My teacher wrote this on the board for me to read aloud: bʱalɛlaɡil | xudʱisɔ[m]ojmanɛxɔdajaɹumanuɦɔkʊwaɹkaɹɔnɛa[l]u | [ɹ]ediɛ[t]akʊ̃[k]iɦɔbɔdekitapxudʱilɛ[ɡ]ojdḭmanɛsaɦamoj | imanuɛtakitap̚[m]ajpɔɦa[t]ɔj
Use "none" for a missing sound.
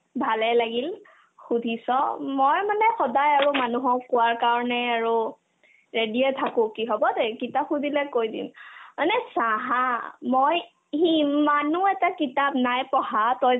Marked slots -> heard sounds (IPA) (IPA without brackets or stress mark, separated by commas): m, ɹ, ɹ, tʰ, k, k, n, t